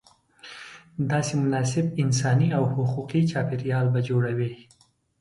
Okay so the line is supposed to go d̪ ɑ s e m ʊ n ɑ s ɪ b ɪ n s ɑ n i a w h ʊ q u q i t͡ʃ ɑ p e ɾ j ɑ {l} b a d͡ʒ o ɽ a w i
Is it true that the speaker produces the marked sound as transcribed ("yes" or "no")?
yes